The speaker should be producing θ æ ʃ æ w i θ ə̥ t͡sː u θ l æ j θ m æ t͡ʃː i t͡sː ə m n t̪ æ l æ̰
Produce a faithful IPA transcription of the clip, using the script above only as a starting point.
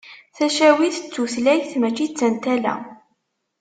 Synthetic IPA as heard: θ æ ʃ æ w i θ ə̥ t͡sː u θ l æ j θ m æ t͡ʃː i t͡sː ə n t̪ æ l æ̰